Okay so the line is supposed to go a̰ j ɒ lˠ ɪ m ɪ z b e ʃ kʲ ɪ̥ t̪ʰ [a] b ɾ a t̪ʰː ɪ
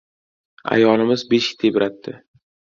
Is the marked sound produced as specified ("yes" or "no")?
no